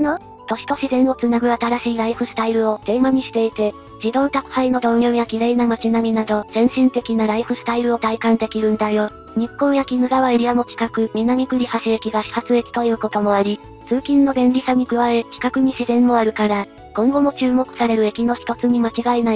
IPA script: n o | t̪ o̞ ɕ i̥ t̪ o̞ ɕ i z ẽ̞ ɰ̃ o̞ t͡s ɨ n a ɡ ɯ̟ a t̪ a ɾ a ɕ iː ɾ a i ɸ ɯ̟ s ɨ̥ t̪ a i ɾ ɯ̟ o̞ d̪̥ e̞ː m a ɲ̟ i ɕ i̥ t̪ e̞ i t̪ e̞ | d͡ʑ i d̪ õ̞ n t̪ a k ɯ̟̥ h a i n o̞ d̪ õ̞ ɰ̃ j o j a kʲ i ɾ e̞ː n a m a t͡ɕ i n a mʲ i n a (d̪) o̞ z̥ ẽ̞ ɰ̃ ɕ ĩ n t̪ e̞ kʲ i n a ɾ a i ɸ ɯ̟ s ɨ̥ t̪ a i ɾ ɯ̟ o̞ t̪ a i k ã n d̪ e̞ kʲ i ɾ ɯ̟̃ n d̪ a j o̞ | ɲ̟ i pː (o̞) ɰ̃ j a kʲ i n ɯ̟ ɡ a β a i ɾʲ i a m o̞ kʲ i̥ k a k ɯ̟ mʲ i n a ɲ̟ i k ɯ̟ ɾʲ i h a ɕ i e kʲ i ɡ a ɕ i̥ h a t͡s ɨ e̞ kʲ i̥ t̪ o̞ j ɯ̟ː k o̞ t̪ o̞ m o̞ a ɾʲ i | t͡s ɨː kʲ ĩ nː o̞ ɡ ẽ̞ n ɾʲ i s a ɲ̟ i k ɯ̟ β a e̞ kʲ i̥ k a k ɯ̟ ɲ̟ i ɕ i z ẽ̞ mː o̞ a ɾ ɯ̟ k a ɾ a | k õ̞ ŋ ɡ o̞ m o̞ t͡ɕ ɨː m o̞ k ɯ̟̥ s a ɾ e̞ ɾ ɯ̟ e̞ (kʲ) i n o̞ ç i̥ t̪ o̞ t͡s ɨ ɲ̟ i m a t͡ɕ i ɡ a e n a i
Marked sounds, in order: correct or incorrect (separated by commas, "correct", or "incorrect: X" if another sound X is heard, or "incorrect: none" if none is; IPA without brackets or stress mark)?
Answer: correct, incorrect: õ̞, correct